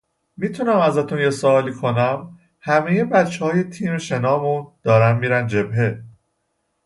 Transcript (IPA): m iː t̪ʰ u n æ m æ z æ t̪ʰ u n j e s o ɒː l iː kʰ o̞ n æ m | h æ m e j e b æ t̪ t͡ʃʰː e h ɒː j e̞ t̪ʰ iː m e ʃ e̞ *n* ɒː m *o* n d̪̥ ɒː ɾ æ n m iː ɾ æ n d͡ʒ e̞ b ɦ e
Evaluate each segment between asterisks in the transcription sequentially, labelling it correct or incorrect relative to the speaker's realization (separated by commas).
correct, incorrect